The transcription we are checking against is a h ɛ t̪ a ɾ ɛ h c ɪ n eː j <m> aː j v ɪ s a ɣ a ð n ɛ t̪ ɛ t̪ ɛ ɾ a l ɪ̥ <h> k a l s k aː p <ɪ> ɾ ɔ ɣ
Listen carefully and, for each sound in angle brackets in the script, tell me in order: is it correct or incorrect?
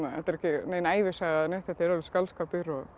incorrect, incorrect, correct

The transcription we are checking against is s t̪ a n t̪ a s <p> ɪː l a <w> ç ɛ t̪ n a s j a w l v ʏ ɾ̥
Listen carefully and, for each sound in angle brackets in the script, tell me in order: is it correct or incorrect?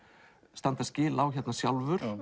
incorrect, correct

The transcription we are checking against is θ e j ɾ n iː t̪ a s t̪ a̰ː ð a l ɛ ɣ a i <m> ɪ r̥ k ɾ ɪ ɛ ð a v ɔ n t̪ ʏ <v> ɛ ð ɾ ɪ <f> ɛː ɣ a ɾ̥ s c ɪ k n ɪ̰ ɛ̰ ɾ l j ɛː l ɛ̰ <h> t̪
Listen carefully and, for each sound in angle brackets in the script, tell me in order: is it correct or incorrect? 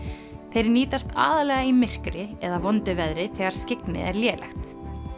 correct, correct, incorrect, incorrect

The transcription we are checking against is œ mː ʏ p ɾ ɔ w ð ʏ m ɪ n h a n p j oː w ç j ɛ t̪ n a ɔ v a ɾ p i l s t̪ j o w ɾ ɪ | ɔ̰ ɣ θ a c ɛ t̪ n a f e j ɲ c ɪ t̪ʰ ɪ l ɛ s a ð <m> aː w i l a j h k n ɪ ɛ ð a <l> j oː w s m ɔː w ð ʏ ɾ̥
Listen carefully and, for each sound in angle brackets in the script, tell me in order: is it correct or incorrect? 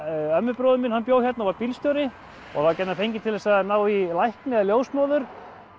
incorrect, correct

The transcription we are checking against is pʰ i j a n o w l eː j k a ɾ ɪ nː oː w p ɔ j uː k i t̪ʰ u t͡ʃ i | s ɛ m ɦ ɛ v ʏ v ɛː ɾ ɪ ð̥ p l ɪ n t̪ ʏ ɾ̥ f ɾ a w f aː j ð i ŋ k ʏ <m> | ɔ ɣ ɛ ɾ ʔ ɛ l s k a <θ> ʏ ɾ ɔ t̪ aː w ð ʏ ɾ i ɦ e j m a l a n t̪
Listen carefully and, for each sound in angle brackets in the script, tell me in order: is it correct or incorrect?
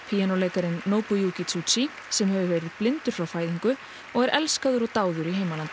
incorrect, incorrect

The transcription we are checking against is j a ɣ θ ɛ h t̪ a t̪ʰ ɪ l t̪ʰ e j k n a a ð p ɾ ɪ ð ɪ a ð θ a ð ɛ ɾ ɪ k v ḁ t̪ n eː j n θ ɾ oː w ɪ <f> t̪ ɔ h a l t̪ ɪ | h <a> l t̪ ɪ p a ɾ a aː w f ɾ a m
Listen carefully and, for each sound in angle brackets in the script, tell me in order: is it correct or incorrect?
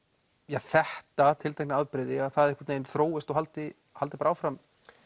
incorrect, correct

